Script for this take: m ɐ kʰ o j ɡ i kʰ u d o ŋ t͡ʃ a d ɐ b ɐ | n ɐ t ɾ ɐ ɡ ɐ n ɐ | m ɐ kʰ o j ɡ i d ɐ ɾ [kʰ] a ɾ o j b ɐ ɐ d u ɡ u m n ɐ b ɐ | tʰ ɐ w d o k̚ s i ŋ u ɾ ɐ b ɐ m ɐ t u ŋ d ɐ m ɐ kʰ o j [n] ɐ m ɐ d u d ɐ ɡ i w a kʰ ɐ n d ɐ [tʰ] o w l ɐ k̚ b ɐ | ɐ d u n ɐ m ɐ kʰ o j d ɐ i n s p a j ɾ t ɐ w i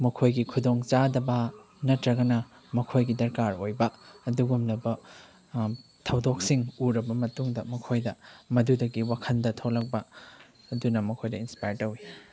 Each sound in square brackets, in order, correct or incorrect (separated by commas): incorrect, incorrect, correct